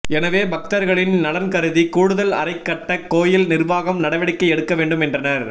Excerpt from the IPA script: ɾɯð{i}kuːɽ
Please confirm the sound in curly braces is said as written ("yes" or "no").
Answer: yes